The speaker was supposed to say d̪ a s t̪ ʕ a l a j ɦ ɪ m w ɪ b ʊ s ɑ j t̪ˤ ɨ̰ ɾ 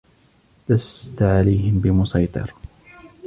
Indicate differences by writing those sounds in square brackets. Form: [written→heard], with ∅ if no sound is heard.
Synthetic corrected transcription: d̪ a s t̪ ʕ a l a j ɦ ɪ m [w→b] ɪ [b→m] ʊ s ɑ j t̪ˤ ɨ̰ ɾ

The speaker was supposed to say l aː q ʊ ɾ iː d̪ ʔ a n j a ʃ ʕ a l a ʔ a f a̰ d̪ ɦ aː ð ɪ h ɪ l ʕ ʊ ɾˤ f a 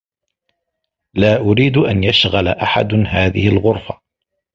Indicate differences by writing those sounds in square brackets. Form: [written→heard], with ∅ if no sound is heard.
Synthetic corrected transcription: l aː [q→ʔ] ʊ ɾ iː d̪ ʔ a n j a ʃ [ʕ→ɣ] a l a ʔ a [f→ħ] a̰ d̪ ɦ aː ð ɪ h ɪ l [ʕ→ɣ] ʊ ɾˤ f a

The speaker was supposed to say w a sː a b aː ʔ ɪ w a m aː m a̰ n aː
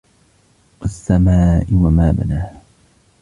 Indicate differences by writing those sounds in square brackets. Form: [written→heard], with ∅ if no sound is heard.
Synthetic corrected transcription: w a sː a [b→m] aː ʔ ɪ w a m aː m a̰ n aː

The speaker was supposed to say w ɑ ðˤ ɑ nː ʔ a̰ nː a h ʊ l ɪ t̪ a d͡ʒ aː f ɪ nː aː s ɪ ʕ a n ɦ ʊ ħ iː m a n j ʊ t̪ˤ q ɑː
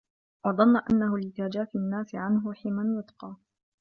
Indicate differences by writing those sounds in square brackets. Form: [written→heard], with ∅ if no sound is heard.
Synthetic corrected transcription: w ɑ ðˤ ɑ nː ʔ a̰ nː a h ʊ l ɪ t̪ a d͡ʒ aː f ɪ nː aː s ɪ ʕ a n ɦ ʊ ħ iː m a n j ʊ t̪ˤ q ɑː

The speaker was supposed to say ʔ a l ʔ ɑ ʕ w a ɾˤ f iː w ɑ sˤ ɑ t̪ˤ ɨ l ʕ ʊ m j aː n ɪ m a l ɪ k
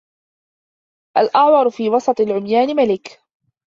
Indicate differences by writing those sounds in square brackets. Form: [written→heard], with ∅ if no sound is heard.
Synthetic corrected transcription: ʔ a l ʔ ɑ ʕ w [a→ɑ] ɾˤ f iː w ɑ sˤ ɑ t̪ˤ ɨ l ʕ ʊ m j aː n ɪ m a l ɪ k

